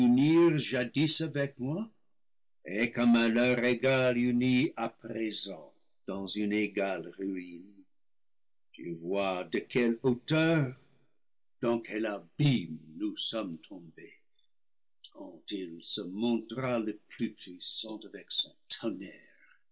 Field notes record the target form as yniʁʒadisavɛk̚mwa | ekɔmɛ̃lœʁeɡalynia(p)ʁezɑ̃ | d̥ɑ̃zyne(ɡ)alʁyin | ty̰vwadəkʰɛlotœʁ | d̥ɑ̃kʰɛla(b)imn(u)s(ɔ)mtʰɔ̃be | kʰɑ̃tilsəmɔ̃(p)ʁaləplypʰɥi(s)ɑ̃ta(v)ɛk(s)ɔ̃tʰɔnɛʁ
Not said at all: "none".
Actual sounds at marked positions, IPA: p, ɡ, b, u, ɔ, t, s, v, s

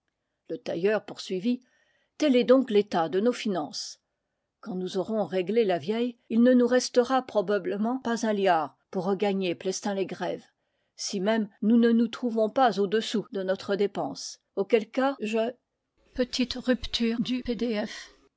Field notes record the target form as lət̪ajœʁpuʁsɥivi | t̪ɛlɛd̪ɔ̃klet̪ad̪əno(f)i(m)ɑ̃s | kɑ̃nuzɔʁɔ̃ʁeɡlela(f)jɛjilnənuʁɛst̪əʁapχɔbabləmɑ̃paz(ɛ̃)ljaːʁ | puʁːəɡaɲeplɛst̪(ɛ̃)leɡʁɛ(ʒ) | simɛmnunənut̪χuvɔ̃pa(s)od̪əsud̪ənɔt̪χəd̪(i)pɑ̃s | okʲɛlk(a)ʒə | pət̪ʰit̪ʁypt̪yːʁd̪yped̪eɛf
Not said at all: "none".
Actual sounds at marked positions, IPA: f, n, v, ɛ̃, ɛ̃, v, z, e, a

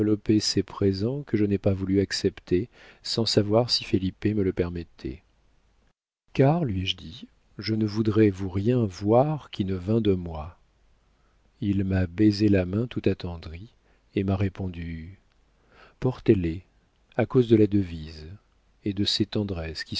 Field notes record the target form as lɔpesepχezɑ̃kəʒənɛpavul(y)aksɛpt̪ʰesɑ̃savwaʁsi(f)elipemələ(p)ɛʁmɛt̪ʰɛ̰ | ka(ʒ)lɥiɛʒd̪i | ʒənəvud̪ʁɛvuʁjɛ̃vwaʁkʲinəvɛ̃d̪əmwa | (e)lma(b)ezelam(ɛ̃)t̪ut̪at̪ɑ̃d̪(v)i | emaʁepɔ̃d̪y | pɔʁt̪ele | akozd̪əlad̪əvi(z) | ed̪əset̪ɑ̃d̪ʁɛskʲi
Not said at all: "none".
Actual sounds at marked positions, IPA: y, f, p, ʁ, i, b, ɛ̃, ʁ, z

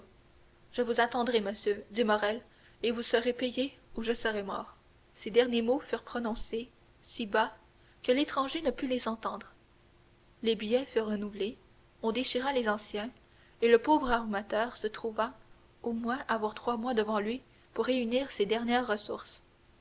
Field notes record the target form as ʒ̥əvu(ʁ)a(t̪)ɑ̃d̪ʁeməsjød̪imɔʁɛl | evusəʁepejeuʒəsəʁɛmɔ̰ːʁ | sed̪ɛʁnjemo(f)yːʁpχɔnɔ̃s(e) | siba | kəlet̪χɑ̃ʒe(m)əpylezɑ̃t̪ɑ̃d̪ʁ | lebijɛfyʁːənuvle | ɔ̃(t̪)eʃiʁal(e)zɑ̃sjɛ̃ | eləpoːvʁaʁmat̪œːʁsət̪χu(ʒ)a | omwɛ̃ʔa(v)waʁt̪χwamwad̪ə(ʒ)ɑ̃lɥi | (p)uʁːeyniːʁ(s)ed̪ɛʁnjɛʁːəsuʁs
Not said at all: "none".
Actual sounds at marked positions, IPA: z, t̪, f, e, n, d̪, e, v, v, v, p, s

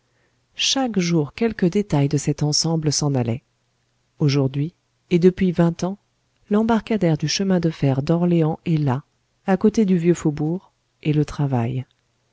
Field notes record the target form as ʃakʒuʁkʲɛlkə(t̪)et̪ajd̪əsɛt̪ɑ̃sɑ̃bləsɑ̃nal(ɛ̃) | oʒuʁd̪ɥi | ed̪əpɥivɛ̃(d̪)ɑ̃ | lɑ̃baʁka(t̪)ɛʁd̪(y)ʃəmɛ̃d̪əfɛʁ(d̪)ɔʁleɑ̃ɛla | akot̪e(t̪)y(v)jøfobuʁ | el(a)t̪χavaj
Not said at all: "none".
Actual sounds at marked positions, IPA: d̪, ɛ, t̪, d̪, y, d̪, d̪, v, ə

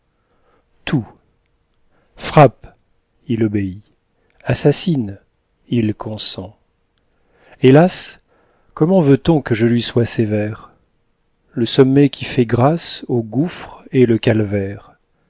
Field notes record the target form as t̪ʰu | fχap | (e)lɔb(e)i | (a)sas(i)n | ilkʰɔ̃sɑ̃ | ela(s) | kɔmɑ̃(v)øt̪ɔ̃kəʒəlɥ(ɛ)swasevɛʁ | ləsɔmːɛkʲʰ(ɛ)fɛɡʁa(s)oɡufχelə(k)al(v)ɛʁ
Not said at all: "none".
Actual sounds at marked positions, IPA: i, e, a, i, s, v, i, i, s, k, v

